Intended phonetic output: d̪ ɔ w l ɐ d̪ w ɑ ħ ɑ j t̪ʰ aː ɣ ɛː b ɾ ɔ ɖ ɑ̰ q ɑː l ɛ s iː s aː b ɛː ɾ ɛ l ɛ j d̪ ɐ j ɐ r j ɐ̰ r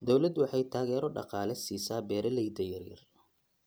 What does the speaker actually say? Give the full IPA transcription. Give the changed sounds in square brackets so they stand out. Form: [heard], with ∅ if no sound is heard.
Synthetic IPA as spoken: d̪ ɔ w l ɐ d̪ w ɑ ħ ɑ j t̪ʰ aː ɣ ɛː [∅] ɾ ɔ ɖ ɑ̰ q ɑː l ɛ s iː s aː b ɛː ɾ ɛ l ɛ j d̪ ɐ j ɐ r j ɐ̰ r